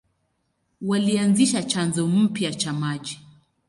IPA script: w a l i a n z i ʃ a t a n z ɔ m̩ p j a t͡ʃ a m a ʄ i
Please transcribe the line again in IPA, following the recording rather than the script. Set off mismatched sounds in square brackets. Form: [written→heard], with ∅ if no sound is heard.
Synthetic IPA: w a l i a n z i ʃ a [t→t͡ʃ] a n z ɔ m̩ p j a t͡ʃ a m a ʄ i